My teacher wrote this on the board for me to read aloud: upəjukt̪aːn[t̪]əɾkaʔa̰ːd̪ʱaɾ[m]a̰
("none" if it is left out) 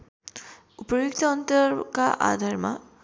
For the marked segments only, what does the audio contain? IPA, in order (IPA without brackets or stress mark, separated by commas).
t̪, m